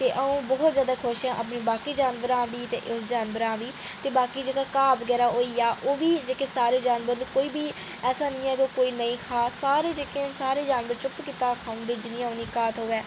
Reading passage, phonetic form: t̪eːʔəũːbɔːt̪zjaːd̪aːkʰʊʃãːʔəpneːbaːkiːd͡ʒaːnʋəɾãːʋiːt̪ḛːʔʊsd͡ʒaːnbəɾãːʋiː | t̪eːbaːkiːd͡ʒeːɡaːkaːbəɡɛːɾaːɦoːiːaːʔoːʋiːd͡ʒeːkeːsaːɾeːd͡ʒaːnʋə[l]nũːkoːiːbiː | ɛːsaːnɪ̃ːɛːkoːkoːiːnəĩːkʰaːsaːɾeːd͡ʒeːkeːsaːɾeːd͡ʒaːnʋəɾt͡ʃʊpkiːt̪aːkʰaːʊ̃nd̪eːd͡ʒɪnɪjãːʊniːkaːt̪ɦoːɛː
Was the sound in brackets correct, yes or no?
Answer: no